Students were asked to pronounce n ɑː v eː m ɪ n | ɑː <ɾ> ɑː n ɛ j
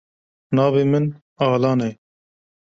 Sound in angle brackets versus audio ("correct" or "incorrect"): incorrect